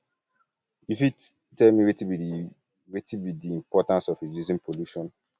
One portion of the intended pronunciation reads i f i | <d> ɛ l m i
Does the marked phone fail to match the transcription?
yes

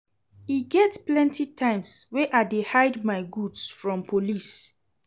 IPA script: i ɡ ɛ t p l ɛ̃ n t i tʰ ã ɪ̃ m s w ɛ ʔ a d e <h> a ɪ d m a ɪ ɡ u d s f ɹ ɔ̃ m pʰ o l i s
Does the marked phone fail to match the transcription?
no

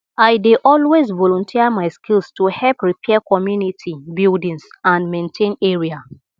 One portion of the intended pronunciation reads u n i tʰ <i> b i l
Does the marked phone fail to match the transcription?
no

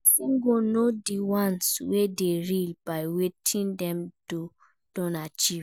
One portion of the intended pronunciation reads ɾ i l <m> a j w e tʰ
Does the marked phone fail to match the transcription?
yes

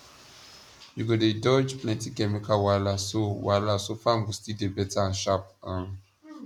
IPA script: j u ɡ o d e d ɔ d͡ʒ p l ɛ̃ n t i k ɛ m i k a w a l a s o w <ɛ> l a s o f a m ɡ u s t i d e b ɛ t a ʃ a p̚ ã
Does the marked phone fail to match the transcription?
yes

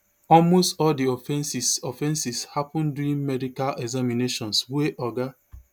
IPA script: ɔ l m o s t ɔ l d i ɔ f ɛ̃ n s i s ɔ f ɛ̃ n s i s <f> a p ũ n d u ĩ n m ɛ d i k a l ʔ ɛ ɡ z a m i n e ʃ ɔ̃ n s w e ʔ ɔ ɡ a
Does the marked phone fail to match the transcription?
yes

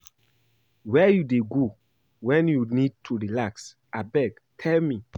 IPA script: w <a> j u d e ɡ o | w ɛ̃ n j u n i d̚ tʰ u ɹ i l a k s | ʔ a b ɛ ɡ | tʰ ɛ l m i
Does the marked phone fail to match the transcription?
yes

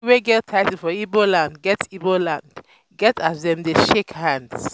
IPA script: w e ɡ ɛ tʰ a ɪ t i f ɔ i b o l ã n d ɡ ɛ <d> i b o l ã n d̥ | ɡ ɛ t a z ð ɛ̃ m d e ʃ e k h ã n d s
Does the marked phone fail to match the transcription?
yes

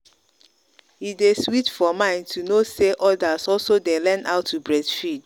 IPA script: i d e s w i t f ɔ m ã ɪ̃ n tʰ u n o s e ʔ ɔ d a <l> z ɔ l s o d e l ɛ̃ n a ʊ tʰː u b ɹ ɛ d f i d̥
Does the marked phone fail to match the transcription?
yes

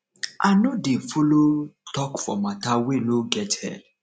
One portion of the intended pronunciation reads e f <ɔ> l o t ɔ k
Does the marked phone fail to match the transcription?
yes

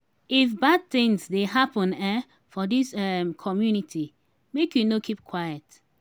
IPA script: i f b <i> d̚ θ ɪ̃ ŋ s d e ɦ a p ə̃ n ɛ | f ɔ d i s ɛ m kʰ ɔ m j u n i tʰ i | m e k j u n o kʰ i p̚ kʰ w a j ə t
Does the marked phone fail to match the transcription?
yes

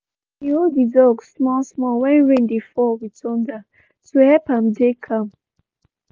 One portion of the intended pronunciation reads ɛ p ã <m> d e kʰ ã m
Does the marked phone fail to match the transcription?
no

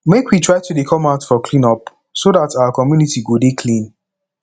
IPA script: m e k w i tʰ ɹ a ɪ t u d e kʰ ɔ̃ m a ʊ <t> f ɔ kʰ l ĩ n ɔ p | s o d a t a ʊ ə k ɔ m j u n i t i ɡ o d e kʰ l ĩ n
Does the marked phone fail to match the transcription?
no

